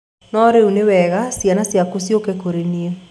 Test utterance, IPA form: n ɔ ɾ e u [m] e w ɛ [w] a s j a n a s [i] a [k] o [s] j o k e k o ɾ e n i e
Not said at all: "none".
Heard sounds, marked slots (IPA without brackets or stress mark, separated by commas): n, ɣ, j, k, s